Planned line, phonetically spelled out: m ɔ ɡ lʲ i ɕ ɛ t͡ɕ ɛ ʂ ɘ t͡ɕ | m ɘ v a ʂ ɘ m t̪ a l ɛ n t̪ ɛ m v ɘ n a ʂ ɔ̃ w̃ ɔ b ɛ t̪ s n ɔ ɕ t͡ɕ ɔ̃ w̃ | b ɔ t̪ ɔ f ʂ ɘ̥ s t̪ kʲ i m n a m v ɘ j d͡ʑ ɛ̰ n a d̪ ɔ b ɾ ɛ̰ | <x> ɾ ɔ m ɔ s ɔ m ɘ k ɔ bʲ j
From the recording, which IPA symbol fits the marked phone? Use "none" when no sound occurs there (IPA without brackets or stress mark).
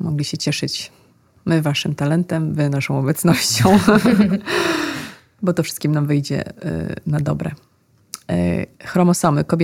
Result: x